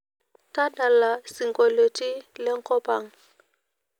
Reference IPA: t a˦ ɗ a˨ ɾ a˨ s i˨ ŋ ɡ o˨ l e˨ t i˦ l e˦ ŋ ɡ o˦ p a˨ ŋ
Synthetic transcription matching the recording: t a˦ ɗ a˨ l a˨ s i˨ ŋ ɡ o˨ l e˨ t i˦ l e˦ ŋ k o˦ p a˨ ŋ